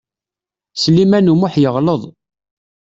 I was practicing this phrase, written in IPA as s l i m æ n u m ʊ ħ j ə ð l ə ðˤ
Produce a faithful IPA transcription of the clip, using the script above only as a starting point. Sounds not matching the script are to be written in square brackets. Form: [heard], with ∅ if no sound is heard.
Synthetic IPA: s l i m æ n u m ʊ ħ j ə [ʁ] l ə ðˤ

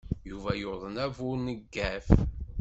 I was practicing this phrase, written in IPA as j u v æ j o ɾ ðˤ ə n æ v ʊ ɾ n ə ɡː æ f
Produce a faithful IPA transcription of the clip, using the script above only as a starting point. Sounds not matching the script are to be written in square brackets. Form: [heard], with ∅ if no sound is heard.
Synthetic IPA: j u v æ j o ɾ ðˤ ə n æ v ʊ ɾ n ə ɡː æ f

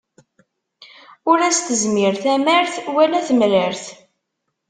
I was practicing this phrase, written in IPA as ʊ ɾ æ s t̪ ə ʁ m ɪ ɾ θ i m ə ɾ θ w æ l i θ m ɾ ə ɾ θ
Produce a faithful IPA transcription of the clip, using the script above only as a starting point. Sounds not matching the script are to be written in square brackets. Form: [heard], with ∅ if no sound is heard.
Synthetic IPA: ʊ ɾ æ s t̪ ə [z] m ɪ ɾ θ [æ] m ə ɾ θ w æ l [æ] θ m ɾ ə ɾ θ

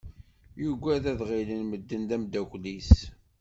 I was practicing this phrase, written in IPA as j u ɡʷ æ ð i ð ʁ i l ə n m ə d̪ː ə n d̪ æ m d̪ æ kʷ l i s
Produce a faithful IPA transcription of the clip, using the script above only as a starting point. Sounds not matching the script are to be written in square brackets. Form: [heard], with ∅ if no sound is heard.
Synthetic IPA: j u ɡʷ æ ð [æ] ð ʁ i l ə n m ə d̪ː ə n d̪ æ m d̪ æ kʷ l i s

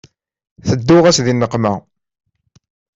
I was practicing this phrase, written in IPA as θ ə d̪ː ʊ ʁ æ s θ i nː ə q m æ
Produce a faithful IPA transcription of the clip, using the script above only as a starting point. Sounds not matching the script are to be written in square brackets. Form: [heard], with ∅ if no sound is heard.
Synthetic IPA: θ ə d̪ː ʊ ʁ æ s [ð] i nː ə q m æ

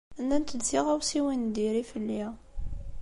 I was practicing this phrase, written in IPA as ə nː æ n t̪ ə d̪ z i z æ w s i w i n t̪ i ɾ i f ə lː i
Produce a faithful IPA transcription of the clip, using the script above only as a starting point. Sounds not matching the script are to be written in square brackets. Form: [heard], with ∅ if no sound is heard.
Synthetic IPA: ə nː æ n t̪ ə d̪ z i [ʁ] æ w s i w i n [d̪] i ɾ i f ə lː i

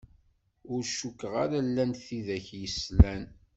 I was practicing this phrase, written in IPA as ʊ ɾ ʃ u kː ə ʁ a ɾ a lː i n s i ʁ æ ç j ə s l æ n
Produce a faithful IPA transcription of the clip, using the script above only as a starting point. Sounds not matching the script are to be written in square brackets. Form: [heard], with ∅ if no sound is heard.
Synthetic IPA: ʊ ɾ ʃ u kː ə ʁ a ɾ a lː [æ] n [θ] i [ð] æ ç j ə s l æ n

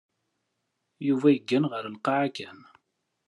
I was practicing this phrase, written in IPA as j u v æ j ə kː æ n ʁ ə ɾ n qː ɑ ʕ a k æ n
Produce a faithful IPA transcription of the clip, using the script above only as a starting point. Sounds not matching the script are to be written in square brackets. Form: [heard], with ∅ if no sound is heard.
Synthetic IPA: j u v æ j ə [ɡː] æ n ʁ ə ɾ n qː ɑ ʕ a k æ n

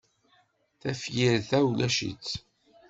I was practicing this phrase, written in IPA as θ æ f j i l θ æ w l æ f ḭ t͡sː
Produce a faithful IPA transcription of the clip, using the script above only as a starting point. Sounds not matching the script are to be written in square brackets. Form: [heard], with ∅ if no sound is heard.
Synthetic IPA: θ æ f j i [ɾ] θ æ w l æ [ʃ] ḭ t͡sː

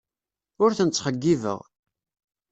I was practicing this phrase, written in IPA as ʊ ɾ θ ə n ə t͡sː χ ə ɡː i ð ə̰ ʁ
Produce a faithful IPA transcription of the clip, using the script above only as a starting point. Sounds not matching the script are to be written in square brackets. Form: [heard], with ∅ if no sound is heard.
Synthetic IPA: ʊ ɾ θ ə n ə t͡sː χ ə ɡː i [v] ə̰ ʁ

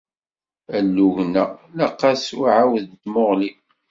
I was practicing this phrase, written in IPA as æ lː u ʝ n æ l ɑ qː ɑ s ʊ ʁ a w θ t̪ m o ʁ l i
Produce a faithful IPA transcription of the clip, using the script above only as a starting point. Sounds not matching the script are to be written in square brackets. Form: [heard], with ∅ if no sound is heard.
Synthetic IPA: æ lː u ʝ n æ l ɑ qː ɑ s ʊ [ʕ] a w [ð] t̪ m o ʁ l i

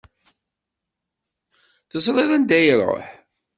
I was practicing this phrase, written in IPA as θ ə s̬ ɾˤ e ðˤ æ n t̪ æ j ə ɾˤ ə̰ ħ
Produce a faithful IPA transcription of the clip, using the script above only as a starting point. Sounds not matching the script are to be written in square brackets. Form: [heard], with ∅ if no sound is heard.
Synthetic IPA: θ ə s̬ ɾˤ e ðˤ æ n [d̪] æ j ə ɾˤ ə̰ ħ

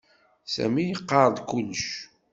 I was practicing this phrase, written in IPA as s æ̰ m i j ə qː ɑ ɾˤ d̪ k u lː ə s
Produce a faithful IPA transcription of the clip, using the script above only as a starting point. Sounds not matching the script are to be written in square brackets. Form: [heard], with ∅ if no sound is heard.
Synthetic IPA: s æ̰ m i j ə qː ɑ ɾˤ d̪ k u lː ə [ʃ]

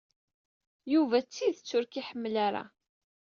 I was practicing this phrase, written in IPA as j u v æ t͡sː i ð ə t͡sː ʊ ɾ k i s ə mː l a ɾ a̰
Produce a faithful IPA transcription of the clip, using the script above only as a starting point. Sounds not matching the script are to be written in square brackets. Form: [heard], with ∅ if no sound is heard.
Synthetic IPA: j u v æ t͡sː i ð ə t͡sː ʊ ɾ k i [ħ] ə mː l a ɾ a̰

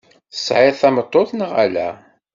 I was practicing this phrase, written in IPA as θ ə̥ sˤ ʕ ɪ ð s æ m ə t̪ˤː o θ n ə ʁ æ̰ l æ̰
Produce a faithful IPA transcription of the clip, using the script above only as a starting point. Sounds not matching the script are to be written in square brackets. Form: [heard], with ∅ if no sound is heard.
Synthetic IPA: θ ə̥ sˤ ʕ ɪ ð [θ] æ m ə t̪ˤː o θ n ə ʁ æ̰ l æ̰

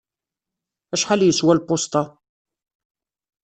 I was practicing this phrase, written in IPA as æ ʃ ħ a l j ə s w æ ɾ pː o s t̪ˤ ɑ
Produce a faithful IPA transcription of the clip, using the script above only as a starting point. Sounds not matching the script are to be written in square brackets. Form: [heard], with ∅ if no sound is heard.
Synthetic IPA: æ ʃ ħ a l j ə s w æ [l] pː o s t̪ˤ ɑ

